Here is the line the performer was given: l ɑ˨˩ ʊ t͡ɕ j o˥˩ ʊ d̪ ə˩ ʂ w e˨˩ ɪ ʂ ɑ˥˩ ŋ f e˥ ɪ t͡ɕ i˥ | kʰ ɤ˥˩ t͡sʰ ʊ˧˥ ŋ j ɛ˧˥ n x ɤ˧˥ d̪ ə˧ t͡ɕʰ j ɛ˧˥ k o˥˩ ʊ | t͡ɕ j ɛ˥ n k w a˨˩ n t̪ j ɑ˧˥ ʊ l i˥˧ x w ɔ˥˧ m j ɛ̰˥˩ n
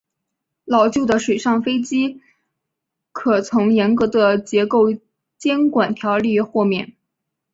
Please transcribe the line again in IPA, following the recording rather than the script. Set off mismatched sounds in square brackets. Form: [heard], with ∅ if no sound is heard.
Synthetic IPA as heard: l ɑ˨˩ ʊ t͡ɕ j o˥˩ ʊ d̪ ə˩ ʂ w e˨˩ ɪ ʂ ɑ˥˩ ŋ f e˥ ɪ t͡ɕ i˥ | kʰ [ɤ˨˩] t͡sʰ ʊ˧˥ ŋ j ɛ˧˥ n [k] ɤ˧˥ d̪ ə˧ [t͡ɕ] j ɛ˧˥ k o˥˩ ʊ | t͡ɕ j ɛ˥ n k w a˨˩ n [t̪ʰ] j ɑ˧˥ ʊ l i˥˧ x w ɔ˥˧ m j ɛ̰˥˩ n